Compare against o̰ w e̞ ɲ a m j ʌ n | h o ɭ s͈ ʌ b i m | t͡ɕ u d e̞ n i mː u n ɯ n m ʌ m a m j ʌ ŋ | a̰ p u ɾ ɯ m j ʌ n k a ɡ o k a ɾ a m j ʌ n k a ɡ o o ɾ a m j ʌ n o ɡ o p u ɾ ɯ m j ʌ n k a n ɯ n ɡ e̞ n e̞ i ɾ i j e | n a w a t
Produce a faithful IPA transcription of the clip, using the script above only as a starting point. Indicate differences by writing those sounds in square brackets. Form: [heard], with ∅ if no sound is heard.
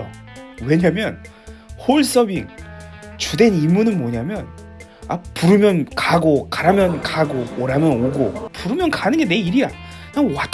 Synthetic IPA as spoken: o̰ w e̞ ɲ a m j ʌ n | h o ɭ s͈ ʌ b i [ŋ] | t͡ɕ u d e̞ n i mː u n ɯ n m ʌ [ɲ] a m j ʌ [n] | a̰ p u ɾ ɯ m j ʌ n k a ɡ o k a ɾ a m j ʌ n k a ɡ o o ɾ a m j ʌ n o ɡ o p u ɾ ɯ m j ʌ n k a n ɯ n ɡ e̞ n e̞ i ɾ i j [a] | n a w a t

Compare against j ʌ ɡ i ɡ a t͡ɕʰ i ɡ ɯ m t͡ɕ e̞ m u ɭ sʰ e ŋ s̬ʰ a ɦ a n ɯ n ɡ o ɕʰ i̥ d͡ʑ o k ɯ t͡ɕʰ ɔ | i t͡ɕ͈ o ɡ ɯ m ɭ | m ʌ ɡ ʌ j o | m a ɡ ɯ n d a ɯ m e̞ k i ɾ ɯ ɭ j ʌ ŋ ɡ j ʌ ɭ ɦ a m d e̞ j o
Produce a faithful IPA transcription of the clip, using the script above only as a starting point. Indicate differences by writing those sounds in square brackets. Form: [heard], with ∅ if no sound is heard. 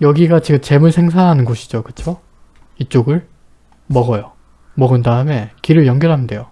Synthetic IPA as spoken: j ʌ ɡ i ɡ a [t͡ɕ] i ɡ ɯ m t͡ɕ e̞ m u ɭ sʰ e ŋ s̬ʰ a ɦ a n ɯ n ɡ o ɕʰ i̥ d͡ʑ o k ɯ t͡ɕʰ [o] | i t͡ɕ͈ o ɡ ɯ [∅] ɭ | m ʌ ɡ ʌ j o | m [ʌ] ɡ ɯ n d a ɯ m e̞ k i ɾ ɯ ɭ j ʌ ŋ ɡ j ʌ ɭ ɦ a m d e̞ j o

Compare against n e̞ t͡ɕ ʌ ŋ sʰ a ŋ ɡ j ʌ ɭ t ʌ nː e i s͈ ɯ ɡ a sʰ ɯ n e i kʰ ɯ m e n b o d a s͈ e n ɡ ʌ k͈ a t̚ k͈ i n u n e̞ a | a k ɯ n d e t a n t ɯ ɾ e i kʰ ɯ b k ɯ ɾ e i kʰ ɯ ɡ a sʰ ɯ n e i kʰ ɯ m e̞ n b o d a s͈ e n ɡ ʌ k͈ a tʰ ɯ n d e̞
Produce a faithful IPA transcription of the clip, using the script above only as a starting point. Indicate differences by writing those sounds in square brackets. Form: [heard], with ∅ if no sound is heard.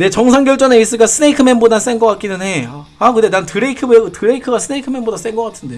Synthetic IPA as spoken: n e̞ t͡ɕ ʌ ŋ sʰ a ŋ ɡ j ʌ ɭ [t͡ɕ͈] ʌ [n] e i s͈ ɯ ɡ a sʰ ɯ n e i kʰ ɯ m e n b o d a s͈ e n ɡ ʌ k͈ a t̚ k͈ i n [ɯ] n e̞ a | a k ɯ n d e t a n t ɯ ɾ e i kʰ ɯ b [t] ɯ ɾ e i kʰ ɯ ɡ a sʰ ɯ n e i kʰ ɯ m e̞ n b o d a s͈ e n ɡ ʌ k͈ a tʰ ɯ n d e̞

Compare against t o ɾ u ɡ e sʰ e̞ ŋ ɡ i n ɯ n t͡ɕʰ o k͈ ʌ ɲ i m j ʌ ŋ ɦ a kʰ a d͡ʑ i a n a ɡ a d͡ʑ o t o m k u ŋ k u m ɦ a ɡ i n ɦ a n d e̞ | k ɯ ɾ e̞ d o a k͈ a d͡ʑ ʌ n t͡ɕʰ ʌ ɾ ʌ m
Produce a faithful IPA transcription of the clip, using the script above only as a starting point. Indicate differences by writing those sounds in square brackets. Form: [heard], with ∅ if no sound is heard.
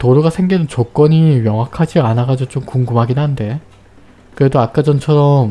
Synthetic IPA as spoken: t o ɾ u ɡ [a] sʰ e̞ ŋ ɡ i n ɯ n [t͡ɕ] o k͈ ʌ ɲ i m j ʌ ŋ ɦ a kʰ a d͡ʑ i a n a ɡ a d͡ʑ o [t͡ɕ] o m k u ŋ [ɡ] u m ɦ a ɡ i n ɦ a n d e̞ | k ɯ ɾ e̞ d o a k͈ a d͡ʑ ʌ n t͡ɕʰ ʌ ɾ ʌ m

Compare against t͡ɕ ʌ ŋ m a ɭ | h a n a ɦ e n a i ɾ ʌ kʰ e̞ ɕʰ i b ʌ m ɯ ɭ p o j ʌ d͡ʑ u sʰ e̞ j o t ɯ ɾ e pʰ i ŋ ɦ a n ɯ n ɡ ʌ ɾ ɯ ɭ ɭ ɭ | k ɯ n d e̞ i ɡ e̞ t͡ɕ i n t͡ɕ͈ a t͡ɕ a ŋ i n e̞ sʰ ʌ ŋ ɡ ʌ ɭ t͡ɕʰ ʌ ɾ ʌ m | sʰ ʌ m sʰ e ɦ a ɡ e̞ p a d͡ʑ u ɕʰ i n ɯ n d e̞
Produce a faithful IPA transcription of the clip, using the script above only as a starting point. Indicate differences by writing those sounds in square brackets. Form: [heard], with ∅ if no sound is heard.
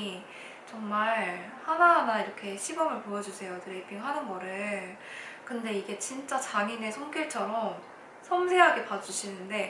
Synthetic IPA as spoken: t͡ɕ ʌ ŋ m a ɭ | h a n a ɦ [a] n a i ɾ ʌ kʰ e̞ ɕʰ i b ʌ m ɯ ɭ p o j ʌ d͡ʑ u sʰ e̞ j o t ɯ ɾ e pʰ i ŋ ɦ a n ɯ n ɡ ʌ ɾ ɯ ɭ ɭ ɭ | k ɯ n d e̞ i ɡ e̞ t͡ɕ i n t͡ɕ͈ a t͡ɕ a ŋ i n e̞ sʰ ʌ ŋ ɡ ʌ ɭ t͡ɕʰ ʌ ɾ ʌ m | sʰ ʌ m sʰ e ɦ a ɡ e̞ p a d͡ʑ u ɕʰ i n ɯ n d e̞

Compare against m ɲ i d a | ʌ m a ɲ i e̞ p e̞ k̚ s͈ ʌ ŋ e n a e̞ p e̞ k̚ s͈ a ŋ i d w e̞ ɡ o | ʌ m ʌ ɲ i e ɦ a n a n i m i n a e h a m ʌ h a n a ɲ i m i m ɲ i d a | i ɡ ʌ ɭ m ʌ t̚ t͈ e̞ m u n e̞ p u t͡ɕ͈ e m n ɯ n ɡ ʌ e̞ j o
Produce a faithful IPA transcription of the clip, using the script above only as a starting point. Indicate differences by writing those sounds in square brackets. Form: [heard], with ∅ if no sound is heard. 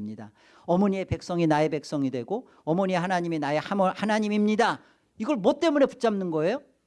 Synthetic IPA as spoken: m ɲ i d a | ʌ m [ʌ] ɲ i e̞ p e̞ k̚ s͈ ʌ ŋ [i] n a e̞ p e̞ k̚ s͈ [ʌ] ŋ i d w e̞ ɡ o | ʌ m ʌ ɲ i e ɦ a n a [ɲ] i m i n a e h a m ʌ h a n a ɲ i m i m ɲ i d a | i ɡ ʌ ɭ m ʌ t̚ t͈ e̞ m u n e̞ p u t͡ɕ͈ [a] m n ɯ n ɡ ʌ e̞ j o

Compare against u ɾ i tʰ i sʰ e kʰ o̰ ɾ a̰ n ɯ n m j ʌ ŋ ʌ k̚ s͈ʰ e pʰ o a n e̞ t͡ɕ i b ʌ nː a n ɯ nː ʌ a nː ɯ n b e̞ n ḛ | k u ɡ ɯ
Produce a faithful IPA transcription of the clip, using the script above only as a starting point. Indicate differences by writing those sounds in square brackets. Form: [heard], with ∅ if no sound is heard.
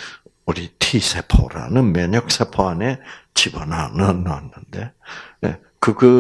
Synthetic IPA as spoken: u ɾ i tʰ i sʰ e [pʰ] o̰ ɾ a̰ n ɯ n m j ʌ [ɲ] ʌ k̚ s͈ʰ e pʰ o a n e̞ t͡ɕ i b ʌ [n] a n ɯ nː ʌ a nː ɯ n [d] e̞ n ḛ | k [ɯ] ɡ ɯ

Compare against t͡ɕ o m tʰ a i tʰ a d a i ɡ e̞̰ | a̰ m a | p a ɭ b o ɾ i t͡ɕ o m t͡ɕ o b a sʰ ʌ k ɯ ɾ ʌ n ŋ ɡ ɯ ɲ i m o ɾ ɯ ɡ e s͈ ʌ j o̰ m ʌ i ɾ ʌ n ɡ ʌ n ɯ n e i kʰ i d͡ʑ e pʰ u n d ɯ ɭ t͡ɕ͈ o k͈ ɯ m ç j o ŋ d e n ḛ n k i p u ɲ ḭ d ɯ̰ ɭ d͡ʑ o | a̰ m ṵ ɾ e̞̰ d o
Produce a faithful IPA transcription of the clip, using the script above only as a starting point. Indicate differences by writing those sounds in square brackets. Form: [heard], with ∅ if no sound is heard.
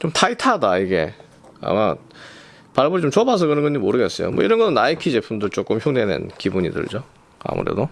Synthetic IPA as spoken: t͡ɕ o m tʰ a i tʰ a d a i ɡ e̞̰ | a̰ m a | p a ɭ b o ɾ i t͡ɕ o m t͡ɕ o b a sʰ ʌ k ɯ ɾ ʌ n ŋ ɡ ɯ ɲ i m o ɾ ɯ ɡ e s͈ ʌ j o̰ m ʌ i ɾ ʌ n ɡ ʌ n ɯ n [a] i kʰ i d͡ʑ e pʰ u n d ɯ ɭ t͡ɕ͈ o k͈ ɯ m ç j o ŋ d e n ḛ n k i [b] u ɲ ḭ d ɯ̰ ɭ d͡ʑ o | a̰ m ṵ ɾ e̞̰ d o

